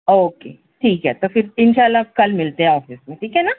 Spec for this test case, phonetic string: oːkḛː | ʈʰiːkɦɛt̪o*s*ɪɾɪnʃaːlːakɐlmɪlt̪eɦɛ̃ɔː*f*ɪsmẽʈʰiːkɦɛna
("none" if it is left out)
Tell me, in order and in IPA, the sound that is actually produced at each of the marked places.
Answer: f, f

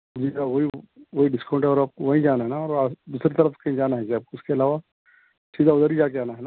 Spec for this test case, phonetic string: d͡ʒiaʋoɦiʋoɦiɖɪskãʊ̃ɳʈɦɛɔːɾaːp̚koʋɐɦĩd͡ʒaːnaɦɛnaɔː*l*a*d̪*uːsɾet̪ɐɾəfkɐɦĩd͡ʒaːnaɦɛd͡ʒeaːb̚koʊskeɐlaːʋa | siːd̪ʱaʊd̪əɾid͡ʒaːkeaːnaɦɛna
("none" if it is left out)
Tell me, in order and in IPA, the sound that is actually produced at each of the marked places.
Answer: ɾ, d̪

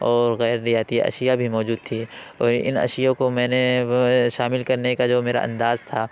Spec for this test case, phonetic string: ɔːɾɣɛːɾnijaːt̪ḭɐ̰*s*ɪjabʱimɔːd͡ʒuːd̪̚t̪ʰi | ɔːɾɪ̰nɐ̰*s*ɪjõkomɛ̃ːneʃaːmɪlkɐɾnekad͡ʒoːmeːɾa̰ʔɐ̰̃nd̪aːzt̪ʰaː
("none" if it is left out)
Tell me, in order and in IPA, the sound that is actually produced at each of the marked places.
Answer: ʃ, ʃ

